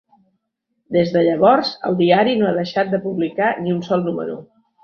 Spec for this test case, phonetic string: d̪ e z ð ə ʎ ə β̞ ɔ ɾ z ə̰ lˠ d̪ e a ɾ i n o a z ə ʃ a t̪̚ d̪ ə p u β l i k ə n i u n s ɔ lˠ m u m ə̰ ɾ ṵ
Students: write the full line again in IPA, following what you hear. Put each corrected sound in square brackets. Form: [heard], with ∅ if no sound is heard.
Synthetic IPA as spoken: d̪ e z ð ə ʎ ə β̞ ɔ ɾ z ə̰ lˠ d̪ [i] a ɾ i n o a [ð] ə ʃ a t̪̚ d̪ ə p u β l i k [a] n i u n s ɔ lˠ [n] u m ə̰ ɾ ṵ